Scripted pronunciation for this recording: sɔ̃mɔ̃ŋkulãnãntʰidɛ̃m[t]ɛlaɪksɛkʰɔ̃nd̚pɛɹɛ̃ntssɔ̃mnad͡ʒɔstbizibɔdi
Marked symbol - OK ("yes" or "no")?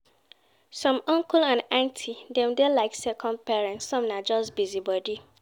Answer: no